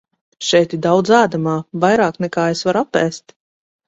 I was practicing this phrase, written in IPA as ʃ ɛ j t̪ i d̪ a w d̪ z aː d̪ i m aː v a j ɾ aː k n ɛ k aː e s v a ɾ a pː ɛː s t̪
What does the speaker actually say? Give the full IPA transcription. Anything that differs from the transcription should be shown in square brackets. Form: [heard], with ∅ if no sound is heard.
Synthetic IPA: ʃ ɛ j t̪ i d̪ a w d̪ z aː d̪ [a] m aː v a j ɾ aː k n ɛ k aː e s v a ɾ a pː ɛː s t̪